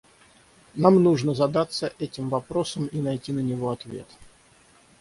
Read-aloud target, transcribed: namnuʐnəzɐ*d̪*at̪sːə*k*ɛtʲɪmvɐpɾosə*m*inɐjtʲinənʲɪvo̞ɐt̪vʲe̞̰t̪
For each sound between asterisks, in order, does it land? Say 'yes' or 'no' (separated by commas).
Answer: yes, no, yes